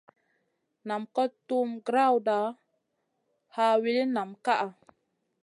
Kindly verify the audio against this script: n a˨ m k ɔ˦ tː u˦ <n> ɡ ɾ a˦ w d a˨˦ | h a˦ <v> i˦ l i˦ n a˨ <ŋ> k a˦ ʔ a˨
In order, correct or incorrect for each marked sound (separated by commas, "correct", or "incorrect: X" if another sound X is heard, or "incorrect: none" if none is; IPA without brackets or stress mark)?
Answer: incorrect: m, incorrect: w, incorrect: m